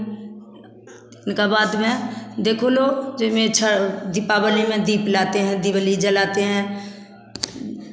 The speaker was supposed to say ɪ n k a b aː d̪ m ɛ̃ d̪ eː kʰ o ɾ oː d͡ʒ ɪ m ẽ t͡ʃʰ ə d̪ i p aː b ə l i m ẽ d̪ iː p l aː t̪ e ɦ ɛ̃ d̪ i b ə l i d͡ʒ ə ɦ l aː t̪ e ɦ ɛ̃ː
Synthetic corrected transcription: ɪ n k a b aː d̪ m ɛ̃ d̪ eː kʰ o l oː d͡ʒ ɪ m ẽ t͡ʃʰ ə d̪ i p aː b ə l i m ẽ d̪ iː p l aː t̪ e ɦ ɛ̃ d̪ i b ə l i d͡ʒ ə l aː t̪ e ɦ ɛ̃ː

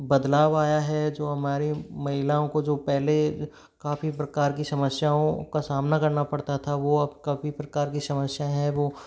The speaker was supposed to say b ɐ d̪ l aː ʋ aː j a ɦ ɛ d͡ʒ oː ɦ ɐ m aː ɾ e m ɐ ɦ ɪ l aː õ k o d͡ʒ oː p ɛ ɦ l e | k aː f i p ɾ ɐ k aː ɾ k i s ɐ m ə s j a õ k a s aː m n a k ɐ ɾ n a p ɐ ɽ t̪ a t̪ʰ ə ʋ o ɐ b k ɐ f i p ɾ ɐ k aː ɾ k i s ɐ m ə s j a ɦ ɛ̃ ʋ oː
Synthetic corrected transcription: b ɐ d̪ l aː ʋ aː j a ɦ ɛ d͡ʒ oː ɦ ɐ m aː ɾ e m ɐ ɦ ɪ l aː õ k o d͡ʒ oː p ɛ ɦ l e | k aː f i p ɾ ɐ k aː ɾ k i s ɐ m ə s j a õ k a s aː m n a k ɐ ɾ n a p ɐ ɽ t̪ a t̪ʰ a ʋ o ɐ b k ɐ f i p ɾ ɐ k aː ɾ k i s ɐ m ə s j a ɦ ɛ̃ ʋ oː

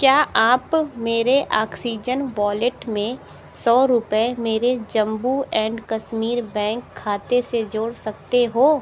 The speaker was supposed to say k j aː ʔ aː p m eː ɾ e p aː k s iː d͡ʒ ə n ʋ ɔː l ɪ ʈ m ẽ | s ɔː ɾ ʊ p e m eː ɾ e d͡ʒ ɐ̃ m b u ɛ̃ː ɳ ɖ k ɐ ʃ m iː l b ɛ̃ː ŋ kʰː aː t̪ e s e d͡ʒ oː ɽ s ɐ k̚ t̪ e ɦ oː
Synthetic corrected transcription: k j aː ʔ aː p m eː ɾ e ʔ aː k s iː d͡ʒ ə n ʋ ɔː l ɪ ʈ m ẽ | s ɔː ɾ ʊ p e m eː ɾ e d͡ʒ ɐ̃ m b u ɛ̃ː ɳ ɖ k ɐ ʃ m iː ɾ b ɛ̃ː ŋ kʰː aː t̪ e s e d͡ʒ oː ɽ s ɐ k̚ t̪ e ɦ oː

